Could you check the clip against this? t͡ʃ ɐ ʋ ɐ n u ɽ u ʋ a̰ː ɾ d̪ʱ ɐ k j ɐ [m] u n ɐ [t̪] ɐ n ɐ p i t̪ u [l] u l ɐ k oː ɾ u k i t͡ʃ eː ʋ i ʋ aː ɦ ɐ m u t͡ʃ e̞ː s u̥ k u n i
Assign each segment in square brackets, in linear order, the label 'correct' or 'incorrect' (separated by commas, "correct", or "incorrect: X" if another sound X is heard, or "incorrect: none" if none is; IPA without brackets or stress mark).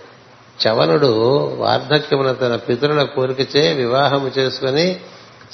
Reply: correct, correct, incorrect: ɾ